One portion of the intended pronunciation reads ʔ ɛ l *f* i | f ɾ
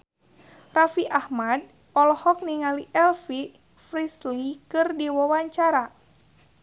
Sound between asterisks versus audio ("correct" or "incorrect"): correct